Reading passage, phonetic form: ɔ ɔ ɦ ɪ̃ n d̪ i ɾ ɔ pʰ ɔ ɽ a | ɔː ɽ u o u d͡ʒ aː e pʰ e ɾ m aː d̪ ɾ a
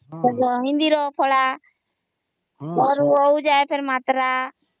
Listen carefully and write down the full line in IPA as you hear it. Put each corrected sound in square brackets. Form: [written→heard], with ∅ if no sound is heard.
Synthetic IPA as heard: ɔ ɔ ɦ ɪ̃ n d̪ i ɾ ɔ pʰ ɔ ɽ a | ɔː [ɽ→ɾ] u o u d͡ʒ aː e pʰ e ɾ m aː [d̪→t̪] ɾ a

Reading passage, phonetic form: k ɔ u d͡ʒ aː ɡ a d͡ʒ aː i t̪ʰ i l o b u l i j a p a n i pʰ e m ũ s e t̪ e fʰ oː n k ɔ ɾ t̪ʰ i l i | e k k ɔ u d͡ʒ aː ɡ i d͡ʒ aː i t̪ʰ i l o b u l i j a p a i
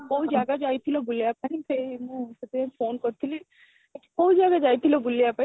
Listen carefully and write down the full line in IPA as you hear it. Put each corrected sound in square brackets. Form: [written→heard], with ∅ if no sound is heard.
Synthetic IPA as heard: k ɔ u d͡ʒ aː ɡ a d͡ʒ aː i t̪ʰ i l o b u l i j a p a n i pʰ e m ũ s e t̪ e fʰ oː n k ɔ ɾ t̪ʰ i l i | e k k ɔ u d͡ʒ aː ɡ [i→a] d͡ʒ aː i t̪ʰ i l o b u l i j a p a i

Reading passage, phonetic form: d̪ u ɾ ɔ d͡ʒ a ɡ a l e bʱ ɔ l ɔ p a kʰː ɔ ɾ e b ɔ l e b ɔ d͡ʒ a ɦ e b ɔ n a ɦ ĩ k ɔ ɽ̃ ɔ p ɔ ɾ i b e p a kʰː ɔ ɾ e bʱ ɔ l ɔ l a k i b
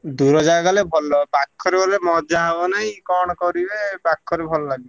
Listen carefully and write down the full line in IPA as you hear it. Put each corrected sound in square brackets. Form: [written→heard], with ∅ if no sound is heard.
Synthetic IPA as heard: d̪ u ɾ ɔ d͡ʒ a ɡ a l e bʱ ɔ l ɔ p a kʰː ɔ ɾ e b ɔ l e [b→m] ɔ d͡ʒ a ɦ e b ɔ n a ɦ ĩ k ɔ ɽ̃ ɔ [p→k] ɔ ɾ i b e p a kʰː ɔ ɾ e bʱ ɔ l ɔ l a [k→ɡ] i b

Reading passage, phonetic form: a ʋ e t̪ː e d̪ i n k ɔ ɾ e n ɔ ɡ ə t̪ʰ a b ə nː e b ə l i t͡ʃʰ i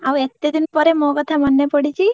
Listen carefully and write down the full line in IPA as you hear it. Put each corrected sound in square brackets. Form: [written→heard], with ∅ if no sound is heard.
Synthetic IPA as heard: a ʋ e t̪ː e d̪ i n [k→p] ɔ ɾ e [n→m] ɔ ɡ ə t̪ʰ a [b→m] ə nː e [b→p] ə [l→ɽ] i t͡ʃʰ i

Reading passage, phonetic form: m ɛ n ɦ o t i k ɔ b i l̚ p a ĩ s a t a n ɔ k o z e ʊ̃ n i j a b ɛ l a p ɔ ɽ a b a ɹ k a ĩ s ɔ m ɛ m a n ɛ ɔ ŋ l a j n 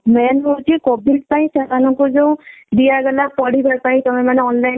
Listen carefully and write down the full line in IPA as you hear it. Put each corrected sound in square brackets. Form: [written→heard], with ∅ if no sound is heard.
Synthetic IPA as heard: m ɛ n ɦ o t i k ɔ b i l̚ p a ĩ s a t a n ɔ k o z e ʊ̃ [n→d] i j a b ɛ l a p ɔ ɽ [a→i] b a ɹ [k→p] a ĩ [s→t] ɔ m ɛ m a n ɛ ɔ [ŋ→n] l a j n

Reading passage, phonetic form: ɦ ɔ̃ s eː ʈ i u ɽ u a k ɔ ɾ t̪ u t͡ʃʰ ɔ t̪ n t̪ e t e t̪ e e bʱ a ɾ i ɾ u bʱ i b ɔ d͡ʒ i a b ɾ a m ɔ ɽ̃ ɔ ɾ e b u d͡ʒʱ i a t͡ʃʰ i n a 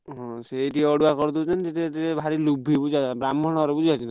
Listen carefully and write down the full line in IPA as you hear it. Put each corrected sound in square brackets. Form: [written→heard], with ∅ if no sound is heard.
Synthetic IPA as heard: ɦ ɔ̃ s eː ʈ i [u→ɔ] ɽ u a k ɔ ɾ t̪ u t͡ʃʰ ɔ [t̪→∅] n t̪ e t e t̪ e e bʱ a ɾ i [ɾ→l] u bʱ i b [ɔ→u] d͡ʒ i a b ɾ a m ɔ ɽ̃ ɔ ɾ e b u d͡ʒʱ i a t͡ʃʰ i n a

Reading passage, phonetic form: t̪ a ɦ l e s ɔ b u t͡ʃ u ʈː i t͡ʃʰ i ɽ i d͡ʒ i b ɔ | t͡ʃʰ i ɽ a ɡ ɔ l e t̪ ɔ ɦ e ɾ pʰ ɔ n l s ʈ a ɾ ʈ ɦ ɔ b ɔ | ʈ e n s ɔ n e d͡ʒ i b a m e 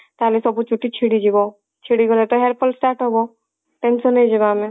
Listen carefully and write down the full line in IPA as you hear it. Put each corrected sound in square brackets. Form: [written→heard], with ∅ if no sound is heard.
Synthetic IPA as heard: t̪ a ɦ l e s ɔ b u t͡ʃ u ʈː i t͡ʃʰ i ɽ i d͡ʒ i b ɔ | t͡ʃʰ i ɽ [a→i] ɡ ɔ l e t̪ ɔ ɦ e ɾ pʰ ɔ [n→∅] l s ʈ a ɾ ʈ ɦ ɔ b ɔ | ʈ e n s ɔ n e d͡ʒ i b a m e

